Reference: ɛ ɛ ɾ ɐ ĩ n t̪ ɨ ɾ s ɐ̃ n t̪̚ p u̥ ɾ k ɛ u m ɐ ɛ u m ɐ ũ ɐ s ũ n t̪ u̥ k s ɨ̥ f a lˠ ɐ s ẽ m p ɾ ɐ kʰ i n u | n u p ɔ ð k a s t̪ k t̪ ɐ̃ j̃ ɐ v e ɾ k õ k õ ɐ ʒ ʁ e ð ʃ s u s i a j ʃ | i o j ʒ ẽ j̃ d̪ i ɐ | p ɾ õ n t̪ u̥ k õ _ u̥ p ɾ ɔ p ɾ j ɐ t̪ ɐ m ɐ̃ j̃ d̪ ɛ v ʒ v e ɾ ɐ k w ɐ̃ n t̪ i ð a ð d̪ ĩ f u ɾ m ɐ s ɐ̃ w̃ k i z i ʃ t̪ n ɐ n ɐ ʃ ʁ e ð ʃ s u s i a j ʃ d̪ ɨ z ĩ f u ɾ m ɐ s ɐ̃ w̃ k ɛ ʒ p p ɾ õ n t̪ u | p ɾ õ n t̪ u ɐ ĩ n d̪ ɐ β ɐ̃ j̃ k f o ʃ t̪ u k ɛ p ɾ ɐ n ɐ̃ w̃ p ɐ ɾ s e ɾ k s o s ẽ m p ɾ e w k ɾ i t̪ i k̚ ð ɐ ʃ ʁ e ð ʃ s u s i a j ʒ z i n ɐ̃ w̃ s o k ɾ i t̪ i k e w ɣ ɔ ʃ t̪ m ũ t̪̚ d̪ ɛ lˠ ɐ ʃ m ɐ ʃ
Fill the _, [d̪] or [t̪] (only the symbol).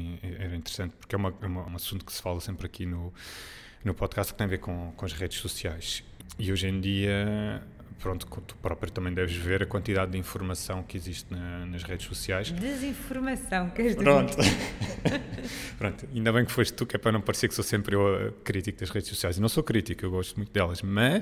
t̪